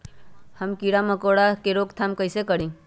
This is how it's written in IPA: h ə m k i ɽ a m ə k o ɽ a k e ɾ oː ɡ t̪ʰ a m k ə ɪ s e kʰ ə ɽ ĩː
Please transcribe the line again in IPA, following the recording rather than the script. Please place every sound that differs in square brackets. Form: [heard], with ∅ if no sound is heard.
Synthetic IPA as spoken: h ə m k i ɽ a m ə k o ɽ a k e ɾ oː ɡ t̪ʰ a m k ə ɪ s e [k] ə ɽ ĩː